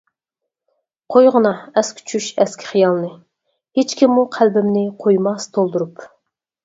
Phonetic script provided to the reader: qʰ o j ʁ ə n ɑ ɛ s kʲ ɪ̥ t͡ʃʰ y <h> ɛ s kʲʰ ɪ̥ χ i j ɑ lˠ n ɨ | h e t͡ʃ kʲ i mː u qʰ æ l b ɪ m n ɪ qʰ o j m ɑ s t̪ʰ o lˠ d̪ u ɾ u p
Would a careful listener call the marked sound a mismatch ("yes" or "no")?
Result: yes